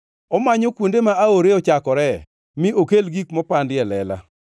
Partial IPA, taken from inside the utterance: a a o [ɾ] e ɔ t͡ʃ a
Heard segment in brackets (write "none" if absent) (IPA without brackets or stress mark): ɾ